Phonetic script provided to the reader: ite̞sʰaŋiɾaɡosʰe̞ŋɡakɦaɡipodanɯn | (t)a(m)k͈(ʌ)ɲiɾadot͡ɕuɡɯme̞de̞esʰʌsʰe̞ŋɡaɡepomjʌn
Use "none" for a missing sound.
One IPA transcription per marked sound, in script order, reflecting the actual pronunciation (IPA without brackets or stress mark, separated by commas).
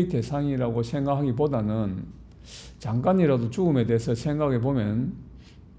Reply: t͡ɕ, ŋ, a